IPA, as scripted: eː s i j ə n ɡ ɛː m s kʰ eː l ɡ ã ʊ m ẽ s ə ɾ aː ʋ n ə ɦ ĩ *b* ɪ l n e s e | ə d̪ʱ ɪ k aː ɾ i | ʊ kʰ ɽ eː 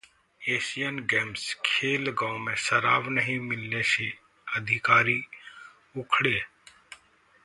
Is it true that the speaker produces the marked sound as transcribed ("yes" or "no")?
no